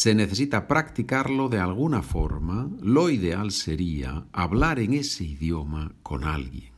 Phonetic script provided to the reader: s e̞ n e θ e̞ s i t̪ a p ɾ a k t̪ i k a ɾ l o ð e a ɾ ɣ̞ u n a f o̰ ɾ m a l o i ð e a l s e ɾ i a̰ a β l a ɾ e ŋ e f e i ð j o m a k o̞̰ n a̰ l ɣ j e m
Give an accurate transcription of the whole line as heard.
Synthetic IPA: s e̞ n e θ e̞ s i t̪ a p ɾ a k t̪ i k a ɾ l o ð e a l ɣ̞ u n a f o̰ ɾ m a l o i ð e a l s e ɾ i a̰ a β l a ɾ e ŋ e s e i ð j o m a k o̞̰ n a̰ l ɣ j e ŋ